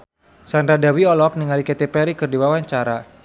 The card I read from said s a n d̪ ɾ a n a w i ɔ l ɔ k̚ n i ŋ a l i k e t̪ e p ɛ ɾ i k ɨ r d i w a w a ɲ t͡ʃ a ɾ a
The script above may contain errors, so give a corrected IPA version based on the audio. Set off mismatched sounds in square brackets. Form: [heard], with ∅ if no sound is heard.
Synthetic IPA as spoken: s a n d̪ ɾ a [d] a w i ɔ l ɔ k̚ n i ŋ a l i k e t̪ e p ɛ ɾ i k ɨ r d i w a w a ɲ t͡ʃ a ɾ a